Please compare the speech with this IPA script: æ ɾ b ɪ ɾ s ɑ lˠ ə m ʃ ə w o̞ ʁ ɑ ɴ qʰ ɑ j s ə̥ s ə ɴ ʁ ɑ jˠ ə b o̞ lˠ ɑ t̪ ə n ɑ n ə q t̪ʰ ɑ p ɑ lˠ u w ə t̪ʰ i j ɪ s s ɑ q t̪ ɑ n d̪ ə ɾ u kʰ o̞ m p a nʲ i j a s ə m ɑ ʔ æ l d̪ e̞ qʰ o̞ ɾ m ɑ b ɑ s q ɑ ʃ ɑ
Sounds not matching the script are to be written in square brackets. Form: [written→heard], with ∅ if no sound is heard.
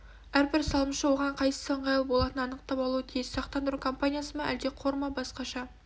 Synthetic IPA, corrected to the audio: æ ɾ b ɪ ɾ s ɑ lˠ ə m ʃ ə w o̞ ʁ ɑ ɴ qʰ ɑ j s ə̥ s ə ɴ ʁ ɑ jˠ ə b o̞ lˠ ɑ t̪ ə n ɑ n ə q [t̪ʰ→t̪] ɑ p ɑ lˠ u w ə t̪ʰ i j ɪ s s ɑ q t̪ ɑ n d̪ ə ɾ u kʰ o̞ m p a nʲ i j a s ə m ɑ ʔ æ l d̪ e̞ qʰ o̞ ɾ m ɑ b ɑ s q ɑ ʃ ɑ